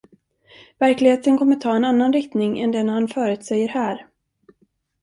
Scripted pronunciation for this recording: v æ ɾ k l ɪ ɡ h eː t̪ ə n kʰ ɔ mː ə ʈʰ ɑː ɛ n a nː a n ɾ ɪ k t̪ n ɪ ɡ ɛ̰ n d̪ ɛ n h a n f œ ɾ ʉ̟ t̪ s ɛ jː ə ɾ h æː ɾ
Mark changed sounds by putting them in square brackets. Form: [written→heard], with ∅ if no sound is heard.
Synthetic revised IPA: v æ ɾ k l ɪ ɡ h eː t̪ ə n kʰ ɔ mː ə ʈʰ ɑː ɛ n a nː a n ɾ ɪ k t̪ n ɪ [ɡ→ŋ] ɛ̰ n d̪ ɛ n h a n f [œ→œː] ɾ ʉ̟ t̪ s ɛ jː ə ɾ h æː ɾ